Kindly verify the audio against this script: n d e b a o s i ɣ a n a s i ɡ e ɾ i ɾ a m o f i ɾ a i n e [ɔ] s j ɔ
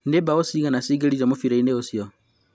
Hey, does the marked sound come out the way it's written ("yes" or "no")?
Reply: no